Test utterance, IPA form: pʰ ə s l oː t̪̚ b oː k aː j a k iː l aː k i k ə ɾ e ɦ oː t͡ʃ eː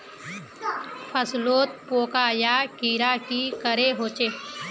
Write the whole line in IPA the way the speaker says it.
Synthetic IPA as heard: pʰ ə s l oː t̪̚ p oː k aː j a k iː ɾ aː k i k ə ɾ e ɦ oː t͡ʃ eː